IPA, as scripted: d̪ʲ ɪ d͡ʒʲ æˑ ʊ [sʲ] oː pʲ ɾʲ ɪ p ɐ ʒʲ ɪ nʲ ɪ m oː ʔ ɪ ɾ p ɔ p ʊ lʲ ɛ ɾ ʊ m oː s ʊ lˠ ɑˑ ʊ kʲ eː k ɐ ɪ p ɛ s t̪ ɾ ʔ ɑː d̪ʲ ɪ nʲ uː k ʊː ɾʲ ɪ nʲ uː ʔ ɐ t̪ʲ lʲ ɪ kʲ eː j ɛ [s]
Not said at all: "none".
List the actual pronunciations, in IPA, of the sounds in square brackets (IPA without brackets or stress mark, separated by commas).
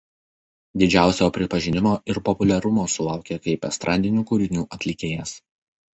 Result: sʲ, s